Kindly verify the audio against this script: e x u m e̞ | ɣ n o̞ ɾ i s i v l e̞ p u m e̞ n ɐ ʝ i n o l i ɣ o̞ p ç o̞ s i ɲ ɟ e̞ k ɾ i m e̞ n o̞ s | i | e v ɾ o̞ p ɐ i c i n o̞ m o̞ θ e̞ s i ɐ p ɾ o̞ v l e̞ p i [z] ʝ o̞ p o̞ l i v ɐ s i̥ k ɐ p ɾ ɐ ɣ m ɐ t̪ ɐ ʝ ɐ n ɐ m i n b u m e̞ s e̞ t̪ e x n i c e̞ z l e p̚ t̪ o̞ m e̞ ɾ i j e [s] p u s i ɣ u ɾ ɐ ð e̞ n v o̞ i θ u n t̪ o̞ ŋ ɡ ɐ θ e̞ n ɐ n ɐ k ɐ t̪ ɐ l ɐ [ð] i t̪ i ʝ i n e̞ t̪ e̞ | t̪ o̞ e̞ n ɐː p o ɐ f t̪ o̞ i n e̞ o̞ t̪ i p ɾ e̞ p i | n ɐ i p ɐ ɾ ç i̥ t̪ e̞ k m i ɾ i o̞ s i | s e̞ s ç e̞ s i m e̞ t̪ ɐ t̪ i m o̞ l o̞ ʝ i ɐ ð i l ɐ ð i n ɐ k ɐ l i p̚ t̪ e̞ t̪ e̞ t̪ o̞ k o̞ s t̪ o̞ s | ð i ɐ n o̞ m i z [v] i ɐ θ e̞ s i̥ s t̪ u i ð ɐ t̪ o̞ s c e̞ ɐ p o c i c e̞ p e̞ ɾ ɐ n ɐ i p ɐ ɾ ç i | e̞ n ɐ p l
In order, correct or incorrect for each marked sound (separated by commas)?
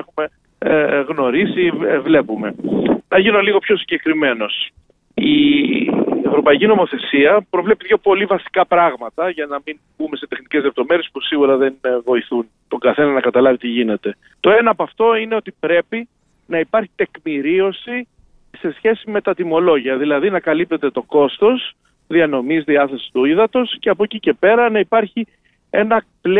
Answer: incorrect, correct, incorrect, incorrect